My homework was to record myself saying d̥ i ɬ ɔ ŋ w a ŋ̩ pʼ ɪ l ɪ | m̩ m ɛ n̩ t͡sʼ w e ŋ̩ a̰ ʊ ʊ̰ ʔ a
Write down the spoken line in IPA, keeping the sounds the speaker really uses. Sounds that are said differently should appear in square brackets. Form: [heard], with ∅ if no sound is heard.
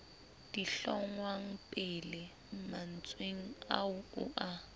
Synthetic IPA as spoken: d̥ i ɬ ɔ ŋ w a ŋ̩ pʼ ɪ l ɪ | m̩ m [a] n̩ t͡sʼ w e ŋ̩ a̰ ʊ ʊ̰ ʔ a